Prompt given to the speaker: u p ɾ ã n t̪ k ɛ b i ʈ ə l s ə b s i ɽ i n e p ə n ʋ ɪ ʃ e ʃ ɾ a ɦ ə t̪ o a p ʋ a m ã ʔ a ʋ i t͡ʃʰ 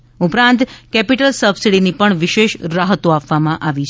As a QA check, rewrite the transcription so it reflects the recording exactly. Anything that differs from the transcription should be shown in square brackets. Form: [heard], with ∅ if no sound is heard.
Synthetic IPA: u p ɾ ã n t̪ k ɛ [p] i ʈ ə l s ə b s i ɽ i n [i] p ə [ɳ] ʋ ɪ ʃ e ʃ ɾ a ɦ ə t̪ o a p ʋ a m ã ʔ a ʋ i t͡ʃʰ